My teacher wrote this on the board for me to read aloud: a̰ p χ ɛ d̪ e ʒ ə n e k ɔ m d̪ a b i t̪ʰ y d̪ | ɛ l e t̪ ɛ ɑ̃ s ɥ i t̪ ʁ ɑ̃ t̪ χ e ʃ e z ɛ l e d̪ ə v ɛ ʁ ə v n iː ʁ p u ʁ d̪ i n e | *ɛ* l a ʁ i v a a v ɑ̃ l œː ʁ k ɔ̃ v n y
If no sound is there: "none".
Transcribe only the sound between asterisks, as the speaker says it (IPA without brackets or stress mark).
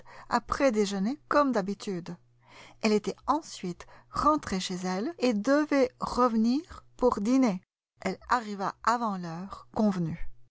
ɛ